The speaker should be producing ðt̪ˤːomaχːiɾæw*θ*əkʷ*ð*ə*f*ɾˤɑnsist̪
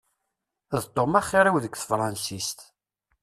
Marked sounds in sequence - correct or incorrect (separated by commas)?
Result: incorrect, incorrect, correct